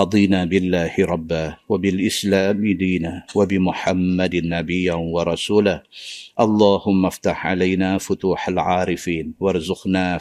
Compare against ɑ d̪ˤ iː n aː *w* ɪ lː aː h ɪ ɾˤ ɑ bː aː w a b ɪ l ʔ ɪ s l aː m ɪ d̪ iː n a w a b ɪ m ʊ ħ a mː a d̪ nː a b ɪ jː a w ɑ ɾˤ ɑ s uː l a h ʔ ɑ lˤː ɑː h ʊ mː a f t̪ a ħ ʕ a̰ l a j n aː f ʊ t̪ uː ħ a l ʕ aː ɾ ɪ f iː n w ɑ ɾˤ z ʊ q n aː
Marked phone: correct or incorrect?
incorrect